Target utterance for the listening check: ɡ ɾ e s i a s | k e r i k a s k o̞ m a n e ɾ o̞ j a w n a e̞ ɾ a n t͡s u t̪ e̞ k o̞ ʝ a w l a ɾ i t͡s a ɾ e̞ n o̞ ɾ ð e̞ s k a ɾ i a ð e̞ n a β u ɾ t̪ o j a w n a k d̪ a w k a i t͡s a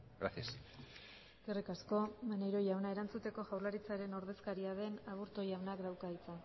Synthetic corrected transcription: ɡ ɾ a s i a s | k e r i k a s k o̞ m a n e ɾ o̞ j a w n a e̞ ɾ a n t͡s u t̪ e̞ k o̞ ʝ a w l a ɾ i t͡s a ɾ e̞ n o̞ ɾ ð e̞ s k a ɾ i a ð e̞ n a β u ɾ t̪ o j a w n a k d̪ a w k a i t͡s a

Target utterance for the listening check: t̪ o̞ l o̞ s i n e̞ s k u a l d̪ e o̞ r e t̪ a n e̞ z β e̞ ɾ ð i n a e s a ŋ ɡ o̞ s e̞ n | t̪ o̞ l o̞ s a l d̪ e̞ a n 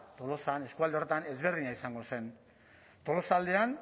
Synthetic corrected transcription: t̪ o̞ l o̞ s a n e̞ s k u a l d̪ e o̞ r e t̪ a n e̞ z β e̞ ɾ ð i ɲ a i s a ŋ ɡ o̞ s e̞ n | t̪ o̞ l o̞ s a l d̪ e̞ a n

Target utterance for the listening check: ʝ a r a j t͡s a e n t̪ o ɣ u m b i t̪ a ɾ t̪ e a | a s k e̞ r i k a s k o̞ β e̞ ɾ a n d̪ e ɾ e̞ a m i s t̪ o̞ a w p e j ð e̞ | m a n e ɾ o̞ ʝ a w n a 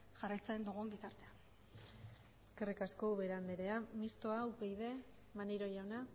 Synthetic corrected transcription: ʝ a r a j t͡s a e n d̪ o ɣ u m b i t̪ a ɾ t̪ e a | e s k e̞ r i k a s k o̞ β e̞ ɾ a n d̪ e ɾ e̞ a m i s t̪ o̞ a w p e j ð e̞ | m a n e ɾ o̞ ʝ a w n a

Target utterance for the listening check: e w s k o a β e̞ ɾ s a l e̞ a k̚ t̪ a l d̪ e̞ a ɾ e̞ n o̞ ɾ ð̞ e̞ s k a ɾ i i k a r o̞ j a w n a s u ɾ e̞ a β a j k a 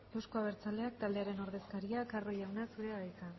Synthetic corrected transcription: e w s k o a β e̞ ɾ t͡s a l e̞ a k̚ t̪ a l d̪ e̞ a ɾ e̞ n o̞ ɾ ð̞ e̞ s k a ɾ i a k a r o̞ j a w n a s u ɾ e̞ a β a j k a

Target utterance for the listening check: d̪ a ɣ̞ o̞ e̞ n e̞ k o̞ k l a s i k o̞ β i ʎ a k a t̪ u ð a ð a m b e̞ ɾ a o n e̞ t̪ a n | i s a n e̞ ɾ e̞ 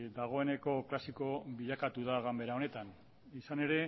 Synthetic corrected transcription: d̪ a ɣ̞ o̞ e̞ n e̞ k o̞ k l a s i k o̞ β i ʎ a k a t̪ u ð a ɣ a m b e̞ ɾ a o n e̞ t̪ a n | i s a n e̞ ɾ e̞

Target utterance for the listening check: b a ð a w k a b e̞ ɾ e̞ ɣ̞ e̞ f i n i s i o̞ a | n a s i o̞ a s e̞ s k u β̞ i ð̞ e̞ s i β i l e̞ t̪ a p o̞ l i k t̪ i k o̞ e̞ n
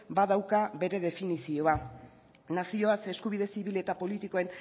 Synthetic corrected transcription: b a ð a w k a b e̞ ɾ e̞ ð̞ e̞ f i n i s i o̞ a | n a s i o̞ a s e̞ s k u β̞ i ð̞ e̞ s i β i l e̞ t̪ a p o̞ l i t̪ i k o̞ e̞ n

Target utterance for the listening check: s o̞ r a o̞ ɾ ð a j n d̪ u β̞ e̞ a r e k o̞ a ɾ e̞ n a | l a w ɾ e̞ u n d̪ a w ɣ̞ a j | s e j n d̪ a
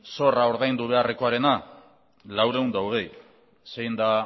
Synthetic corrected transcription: s o̞ r a o̞ ɾ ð a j n d̪ u β̞ e̞ a r e k o̞ a ɾ e̞ n a | l a w ɾ e̞ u n d̪ a w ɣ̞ e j | s e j n d̪ a

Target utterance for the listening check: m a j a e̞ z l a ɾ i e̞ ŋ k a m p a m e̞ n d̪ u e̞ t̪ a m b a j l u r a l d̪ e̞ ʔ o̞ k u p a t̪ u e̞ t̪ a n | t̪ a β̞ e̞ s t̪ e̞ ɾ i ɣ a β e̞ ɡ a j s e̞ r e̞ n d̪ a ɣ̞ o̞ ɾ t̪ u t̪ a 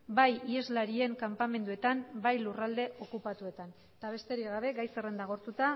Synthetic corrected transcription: b a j i e̞ z l a ɾ i e̞ ŋ k a m p a m e̞ n d̪ u e̞ t̪ a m b a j l u r a l d̪ e̞ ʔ o̞ k u p a t̪ u e̞ t̪ a n | t̪ a β̞ e̞ s t̪ e̞ ɾ i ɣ a β e̞ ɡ a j s e̞ r e̞ n d̪ a ɣ̞ o̞ ɾ t̪ u t̪ a

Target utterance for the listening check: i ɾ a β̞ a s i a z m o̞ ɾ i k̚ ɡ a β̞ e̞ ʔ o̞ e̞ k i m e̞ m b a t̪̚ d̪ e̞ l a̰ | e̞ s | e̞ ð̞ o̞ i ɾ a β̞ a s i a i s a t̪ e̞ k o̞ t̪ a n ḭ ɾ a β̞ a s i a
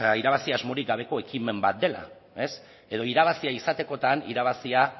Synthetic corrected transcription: i ɾ a β̞ a s i a z m o̞ ɾ i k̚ ɡ a β̞ e̞ k o̞ e̞ k i m e̞ m b a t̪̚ d̪ e̞ l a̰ | e̞ s | e̞ ð̞ o̞ i ɾ a β̞ a s i a i s a t̪ e̞ k o̞ t̪ a n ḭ ɾ a β̞ a s i a

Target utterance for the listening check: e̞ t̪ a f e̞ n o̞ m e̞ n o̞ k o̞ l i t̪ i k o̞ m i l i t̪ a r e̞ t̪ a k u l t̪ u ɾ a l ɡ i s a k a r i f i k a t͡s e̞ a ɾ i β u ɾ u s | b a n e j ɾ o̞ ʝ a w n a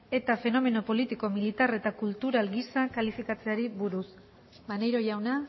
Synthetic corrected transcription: e̞ t̪ a f e̞ n o̞ m e̞ n o̞ p o̞ l i t̪ i k o̞ m i l i t̪ a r e̞ t̪ a k u l t̪ u ɾ a l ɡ i s a k a l i f i k a t͡s e̞ a ɾ i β u ɾ u s | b a n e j ɾ o̞ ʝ a w n a

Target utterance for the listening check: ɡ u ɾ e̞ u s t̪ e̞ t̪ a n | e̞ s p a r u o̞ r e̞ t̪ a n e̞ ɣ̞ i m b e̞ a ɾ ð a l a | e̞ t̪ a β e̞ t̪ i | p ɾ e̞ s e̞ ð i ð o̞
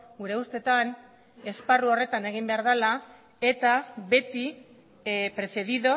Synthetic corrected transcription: ɡ u ɾ e̞ u s t̪ e̞ t̪ a n | e̞ s p a r u o̞ r e̞ t̪ a n e̞ ɣ̞ i m b e̞ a ɾ ð a l a | e̞ t̪ a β e̞ t̪ i | p ɾ e̞ s e̞ ð i ð o̞

